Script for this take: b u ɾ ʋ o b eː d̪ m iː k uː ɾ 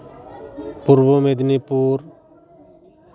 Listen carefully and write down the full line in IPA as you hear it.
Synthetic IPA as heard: p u ɾ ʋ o m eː d̪ n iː p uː ɾ